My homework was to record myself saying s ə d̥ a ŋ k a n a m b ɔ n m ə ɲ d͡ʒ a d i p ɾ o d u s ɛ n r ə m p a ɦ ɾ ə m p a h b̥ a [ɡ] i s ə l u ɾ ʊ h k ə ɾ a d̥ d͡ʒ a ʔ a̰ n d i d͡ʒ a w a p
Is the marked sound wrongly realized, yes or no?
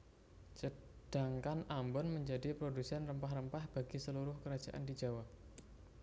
no